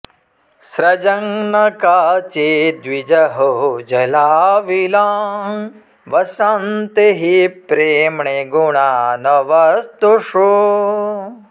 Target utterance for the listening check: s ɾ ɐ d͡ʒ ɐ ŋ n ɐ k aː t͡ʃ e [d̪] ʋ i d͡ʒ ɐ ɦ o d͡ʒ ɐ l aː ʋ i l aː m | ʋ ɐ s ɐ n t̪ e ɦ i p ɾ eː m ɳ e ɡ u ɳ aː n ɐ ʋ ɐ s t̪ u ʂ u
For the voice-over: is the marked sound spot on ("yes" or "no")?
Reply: yes